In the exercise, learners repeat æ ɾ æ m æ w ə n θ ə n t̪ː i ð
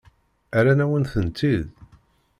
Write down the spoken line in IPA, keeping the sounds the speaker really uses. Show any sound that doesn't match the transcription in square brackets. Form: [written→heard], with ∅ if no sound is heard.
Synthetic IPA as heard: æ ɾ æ [m→n] æ w ə n θ ə n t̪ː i ð